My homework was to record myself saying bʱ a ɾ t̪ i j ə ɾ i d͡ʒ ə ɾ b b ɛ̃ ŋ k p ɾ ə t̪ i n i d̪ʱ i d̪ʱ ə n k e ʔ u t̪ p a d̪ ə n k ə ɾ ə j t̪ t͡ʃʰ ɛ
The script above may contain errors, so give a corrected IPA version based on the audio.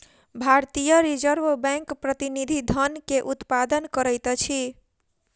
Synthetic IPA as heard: bʱ a ɾ t̪ i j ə ɾ i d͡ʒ ə ɾ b b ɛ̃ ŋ k p ɾ ə t̪ i n i d̪ʱ i d̪ʱ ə n k e ʔ u t̪ p a d̪ ə n k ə ɾ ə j t̪ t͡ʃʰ i